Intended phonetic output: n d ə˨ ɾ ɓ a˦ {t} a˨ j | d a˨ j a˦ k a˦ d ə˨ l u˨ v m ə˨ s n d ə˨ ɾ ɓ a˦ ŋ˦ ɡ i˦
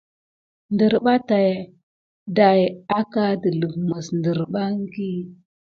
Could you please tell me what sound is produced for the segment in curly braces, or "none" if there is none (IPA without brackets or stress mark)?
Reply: t